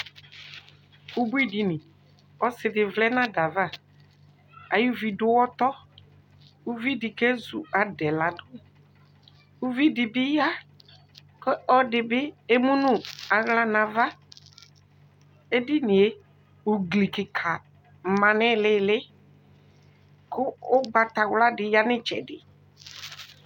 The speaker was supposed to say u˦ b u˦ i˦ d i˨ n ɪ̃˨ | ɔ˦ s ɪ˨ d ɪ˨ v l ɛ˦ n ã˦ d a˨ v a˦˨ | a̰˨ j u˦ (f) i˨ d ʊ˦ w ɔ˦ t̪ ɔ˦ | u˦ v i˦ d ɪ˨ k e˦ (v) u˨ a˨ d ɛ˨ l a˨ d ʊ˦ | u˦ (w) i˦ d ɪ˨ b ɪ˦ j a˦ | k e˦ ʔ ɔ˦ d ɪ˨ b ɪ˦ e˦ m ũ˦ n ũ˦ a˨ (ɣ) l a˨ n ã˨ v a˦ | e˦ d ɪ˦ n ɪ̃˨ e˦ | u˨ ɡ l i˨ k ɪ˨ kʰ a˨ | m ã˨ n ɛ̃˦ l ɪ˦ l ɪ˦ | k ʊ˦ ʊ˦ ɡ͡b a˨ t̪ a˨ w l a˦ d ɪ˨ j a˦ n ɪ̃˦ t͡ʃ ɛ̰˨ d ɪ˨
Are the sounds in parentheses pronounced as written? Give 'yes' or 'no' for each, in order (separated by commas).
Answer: no, no, no, yes